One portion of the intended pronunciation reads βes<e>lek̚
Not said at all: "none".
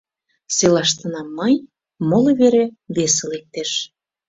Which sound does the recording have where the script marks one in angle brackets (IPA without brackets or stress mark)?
e